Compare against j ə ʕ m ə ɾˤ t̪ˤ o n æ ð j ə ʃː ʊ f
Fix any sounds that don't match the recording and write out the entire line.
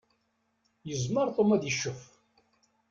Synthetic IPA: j ə z m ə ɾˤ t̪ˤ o m æ ð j ə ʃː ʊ f